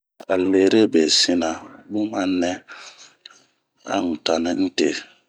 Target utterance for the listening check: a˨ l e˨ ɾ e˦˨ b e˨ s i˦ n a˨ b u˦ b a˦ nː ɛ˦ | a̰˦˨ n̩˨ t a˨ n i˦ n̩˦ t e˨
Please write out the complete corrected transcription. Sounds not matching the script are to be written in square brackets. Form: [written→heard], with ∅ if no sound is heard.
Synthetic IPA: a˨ l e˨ ɾ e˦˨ b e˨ s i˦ n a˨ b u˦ [b→m] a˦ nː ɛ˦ | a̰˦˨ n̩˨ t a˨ n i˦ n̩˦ t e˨